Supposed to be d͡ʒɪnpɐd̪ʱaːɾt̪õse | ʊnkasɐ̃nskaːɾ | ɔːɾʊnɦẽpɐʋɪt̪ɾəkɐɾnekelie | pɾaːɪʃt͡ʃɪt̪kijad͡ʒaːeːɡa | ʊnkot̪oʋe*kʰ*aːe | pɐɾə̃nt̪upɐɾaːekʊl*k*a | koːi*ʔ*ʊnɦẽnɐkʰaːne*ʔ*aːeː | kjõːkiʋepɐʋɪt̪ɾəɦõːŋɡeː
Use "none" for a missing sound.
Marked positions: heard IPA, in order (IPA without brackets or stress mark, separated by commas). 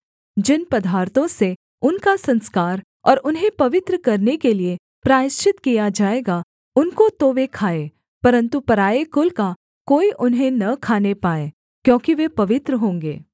kʰ, k, ʔ, p